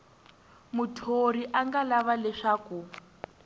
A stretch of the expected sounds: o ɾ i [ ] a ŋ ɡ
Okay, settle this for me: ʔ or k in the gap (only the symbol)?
ʔ